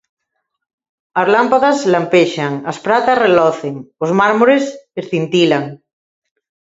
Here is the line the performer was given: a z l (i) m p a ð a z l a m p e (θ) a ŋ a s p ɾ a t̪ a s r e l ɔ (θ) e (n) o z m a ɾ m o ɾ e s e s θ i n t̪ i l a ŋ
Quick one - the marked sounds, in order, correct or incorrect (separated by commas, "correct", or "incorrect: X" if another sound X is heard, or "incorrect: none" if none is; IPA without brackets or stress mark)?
incorrect: a, incorrect: ʃ, correct, incorrect: ŋ